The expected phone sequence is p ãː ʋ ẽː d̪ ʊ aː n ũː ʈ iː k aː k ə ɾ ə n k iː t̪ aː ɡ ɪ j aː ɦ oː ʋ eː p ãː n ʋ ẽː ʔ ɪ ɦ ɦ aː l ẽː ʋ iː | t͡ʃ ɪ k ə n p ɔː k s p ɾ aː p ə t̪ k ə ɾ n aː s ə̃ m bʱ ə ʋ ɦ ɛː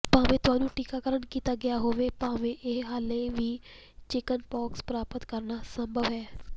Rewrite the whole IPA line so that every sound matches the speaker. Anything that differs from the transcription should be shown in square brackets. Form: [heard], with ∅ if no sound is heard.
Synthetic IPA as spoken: p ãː ʋ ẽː [t̪] ʊ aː n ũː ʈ iː k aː k ə ɾ ə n k iː t̪ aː ɡ ɪ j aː ɦ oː ʋ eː p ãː [∅] ʋ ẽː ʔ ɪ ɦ ɦ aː l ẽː ʋ iː | t͡ʃ ɪ k ə n p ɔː k s p ɾ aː p ə t̪ k ə ɾ n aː s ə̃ m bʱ ə ʋ ɦ ɛː